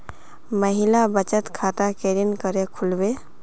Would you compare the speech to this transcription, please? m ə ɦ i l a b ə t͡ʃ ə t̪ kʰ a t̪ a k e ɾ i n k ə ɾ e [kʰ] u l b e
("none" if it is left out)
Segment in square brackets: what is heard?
kʰ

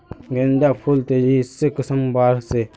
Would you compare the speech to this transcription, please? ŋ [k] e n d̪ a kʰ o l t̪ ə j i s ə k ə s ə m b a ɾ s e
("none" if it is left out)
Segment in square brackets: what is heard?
ɡ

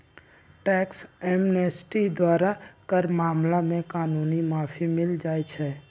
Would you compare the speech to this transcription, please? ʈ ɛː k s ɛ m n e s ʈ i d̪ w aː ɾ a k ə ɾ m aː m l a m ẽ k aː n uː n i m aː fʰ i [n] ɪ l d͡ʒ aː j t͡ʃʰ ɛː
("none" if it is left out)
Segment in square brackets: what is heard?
m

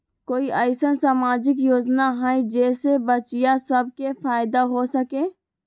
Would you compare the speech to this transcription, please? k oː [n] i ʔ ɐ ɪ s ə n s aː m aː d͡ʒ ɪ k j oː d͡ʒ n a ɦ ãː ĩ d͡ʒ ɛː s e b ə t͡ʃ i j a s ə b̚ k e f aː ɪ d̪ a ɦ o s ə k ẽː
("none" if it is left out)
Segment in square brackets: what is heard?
none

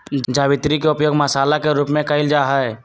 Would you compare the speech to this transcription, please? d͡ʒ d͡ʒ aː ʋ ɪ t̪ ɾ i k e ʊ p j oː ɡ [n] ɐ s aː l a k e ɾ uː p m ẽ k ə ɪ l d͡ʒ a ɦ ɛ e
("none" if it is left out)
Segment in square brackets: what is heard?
m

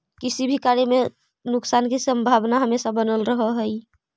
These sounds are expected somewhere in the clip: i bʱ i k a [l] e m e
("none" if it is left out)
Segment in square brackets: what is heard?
ɾ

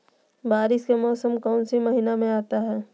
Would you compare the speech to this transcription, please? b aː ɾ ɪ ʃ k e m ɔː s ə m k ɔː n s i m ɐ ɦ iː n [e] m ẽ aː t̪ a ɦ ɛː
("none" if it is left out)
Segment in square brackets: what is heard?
a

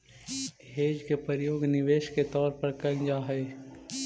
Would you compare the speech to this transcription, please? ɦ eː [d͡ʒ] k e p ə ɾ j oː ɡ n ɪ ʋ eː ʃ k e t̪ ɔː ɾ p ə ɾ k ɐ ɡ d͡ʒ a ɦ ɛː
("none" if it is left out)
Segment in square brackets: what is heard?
d͡ʒ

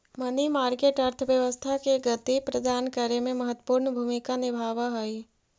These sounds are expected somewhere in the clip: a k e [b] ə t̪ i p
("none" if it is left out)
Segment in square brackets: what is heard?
ɡ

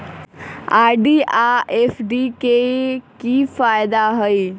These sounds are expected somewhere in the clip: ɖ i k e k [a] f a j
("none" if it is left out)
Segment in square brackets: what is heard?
i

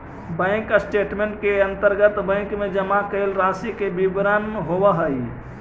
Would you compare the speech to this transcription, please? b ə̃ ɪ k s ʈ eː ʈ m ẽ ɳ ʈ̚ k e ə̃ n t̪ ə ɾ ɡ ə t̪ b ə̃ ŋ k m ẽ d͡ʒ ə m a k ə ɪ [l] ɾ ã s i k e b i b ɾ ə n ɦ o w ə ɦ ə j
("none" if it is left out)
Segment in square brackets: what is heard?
l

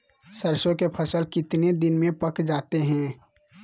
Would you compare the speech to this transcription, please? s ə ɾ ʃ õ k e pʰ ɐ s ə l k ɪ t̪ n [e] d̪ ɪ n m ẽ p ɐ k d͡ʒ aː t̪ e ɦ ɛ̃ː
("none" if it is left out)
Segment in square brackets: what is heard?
e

